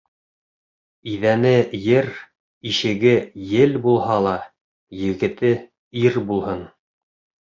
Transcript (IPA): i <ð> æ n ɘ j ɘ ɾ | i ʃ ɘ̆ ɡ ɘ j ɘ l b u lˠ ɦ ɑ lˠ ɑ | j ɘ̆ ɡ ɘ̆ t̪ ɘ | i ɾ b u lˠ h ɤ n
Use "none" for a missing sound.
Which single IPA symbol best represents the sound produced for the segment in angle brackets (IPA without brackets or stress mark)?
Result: ð